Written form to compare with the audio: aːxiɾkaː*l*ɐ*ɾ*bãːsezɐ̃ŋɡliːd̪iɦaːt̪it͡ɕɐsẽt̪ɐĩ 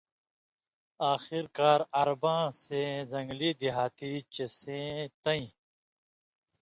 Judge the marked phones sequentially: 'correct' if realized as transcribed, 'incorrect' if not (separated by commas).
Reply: incorrect, correct